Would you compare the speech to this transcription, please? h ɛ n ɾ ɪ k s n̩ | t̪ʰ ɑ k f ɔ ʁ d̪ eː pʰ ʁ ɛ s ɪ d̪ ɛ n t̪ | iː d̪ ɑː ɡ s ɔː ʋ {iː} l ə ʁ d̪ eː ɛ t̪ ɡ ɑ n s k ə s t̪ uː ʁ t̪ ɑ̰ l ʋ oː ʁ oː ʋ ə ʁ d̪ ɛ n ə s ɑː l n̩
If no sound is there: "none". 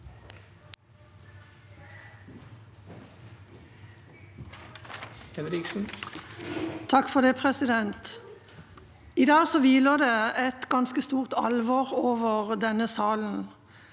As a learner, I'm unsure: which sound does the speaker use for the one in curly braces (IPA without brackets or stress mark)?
iː